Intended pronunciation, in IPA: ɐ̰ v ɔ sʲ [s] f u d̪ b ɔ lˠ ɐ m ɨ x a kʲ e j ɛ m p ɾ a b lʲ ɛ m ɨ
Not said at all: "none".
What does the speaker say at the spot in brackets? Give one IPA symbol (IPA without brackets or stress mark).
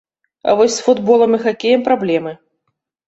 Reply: s